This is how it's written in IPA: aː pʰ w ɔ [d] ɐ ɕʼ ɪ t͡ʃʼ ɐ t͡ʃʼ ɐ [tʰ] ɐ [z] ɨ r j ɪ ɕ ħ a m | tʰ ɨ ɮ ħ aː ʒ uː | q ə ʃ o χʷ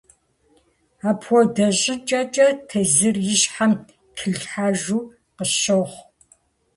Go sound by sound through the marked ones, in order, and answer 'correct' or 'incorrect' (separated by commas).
correct, correct, correct